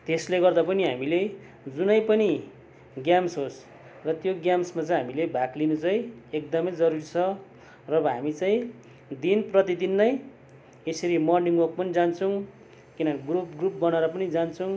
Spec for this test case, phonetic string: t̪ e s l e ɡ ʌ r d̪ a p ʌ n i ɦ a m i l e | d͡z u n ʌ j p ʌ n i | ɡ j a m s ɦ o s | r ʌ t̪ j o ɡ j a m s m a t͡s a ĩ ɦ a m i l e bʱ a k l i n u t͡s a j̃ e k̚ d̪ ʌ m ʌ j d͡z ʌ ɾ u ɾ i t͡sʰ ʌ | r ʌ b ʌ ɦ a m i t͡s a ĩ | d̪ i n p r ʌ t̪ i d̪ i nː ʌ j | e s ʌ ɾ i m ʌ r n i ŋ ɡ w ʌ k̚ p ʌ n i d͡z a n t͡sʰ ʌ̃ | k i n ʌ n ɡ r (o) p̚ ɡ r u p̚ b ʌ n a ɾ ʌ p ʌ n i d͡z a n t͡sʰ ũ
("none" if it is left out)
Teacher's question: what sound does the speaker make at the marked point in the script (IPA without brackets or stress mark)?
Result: u